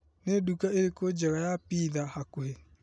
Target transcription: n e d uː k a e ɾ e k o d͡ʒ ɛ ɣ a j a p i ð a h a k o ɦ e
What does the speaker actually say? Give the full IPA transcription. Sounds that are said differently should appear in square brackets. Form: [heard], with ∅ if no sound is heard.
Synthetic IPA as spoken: n e d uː k a e ɾ e k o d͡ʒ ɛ ɣ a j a p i ð a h a k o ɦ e